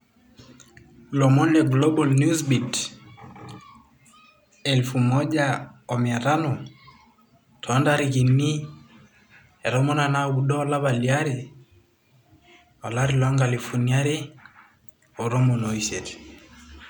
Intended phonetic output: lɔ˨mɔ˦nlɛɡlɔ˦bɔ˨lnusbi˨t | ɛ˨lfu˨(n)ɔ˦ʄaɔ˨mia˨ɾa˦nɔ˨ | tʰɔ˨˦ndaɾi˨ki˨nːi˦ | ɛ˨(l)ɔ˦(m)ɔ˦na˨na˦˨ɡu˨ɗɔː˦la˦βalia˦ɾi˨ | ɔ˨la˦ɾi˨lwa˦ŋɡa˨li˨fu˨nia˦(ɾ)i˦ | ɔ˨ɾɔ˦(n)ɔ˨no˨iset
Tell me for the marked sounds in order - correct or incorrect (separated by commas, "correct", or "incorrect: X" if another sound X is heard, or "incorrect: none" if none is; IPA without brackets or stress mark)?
incorrect: m, incorrect: ɾ, correct, correct, incorrect: m